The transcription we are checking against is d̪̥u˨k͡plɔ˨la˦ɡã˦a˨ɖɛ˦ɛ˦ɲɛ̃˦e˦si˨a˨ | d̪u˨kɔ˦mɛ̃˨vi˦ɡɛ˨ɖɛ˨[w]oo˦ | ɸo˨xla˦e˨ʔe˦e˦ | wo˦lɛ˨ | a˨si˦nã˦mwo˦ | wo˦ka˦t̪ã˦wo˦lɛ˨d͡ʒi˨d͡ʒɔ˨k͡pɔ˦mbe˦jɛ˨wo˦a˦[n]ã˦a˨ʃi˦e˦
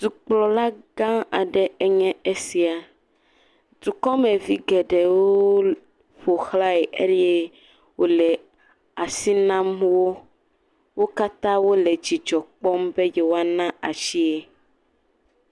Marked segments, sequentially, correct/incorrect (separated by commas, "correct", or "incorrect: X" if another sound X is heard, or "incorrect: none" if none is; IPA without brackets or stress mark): correct, correct